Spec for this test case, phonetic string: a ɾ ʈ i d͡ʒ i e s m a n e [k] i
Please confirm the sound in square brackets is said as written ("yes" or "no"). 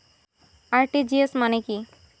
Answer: yes